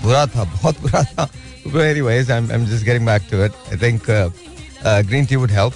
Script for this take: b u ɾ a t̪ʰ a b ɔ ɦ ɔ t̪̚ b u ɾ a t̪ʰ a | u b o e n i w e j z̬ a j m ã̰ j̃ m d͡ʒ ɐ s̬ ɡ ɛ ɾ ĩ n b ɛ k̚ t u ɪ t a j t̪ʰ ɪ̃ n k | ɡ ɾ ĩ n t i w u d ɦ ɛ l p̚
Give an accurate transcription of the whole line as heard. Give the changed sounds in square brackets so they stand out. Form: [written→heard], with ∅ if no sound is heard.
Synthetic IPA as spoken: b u ɾ a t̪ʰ a b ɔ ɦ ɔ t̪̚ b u ɾ a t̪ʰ a | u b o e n i w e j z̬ a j m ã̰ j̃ m d͡ʒ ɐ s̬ ɡ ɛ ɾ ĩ [n→ŋ] b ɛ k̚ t u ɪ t a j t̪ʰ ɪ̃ [n→ŋ] k | ɡ ɾ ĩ n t i w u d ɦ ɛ l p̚